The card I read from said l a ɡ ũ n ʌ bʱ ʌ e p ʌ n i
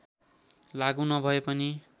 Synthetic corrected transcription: l a ɡ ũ n ʌ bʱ ʌ e p ʌ n i